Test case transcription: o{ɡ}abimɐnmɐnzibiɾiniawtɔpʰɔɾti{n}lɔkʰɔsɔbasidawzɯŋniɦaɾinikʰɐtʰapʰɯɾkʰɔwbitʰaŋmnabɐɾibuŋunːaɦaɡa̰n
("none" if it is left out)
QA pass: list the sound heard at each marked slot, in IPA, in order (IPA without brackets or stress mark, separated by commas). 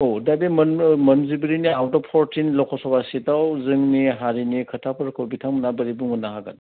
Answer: d, n